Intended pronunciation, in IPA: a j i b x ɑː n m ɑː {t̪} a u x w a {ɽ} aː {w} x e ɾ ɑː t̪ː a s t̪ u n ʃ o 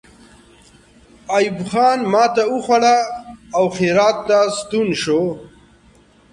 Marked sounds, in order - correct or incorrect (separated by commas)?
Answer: correct, correct, correct